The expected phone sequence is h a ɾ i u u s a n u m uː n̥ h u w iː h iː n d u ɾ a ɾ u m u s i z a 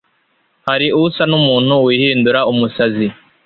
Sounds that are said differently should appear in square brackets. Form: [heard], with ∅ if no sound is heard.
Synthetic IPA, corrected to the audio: h a ɾ i u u s a n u m uː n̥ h u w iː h iː n d u ɾ a [∅] u m u s [a] z [i]